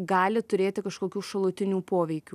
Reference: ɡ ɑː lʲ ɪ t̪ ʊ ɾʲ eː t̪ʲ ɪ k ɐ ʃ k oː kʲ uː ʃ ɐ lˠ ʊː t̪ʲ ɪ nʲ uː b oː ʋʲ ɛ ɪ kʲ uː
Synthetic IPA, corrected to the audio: ɡ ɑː lʲ ɪ t̪ ʊ ɾʲ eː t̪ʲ ɪ k ɐ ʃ k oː kʲ uː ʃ ɐ lˠ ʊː t̪ʲ ɪ nʲ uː p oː ʋʲ ɛ ɪ kʲ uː

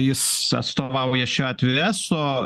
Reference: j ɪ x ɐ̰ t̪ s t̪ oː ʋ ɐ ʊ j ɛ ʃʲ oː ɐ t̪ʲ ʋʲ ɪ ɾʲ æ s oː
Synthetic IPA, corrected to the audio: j ɪ s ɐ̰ t̪ s t̪ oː ʋ ɐ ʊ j ɛ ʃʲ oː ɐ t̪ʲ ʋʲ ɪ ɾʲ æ s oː

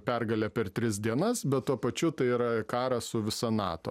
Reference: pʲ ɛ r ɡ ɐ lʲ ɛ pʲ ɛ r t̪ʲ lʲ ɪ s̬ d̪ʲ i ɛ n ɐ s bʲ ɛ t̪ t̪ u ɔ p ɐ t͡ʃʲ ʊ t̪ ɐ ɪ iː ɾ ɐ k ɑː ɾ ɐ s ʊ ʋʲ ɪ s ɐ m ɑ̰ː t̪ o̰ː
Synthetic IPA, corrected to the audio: pʲ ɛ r ɡ ɐ lʲ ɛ pʲ ɛ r t̪ʲ ɾʲ ɪ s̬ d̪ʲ i ɛ n ɐ s bʲ ɛ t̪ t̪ u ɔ p ɐ t͡ʃʲ ʊ t̪ ɐ ɪ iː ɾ ɐ k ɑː ɾ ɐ s ʊ ʋʲ ɪ s ɐ n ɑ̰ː t̪ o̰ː

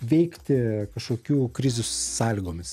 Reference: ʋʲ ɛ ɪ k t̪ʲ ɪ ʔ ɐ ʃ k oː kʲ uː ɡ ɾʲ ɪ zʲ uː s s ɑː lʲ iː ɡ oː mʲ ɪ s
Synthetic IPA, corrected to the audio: ʋʲ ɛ ɪ k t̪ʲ ɪ k ɐ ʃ k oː kʲ uː k ɾʲ ɪ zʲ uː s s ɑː lʲ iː ɡ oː mʲ ɪ s

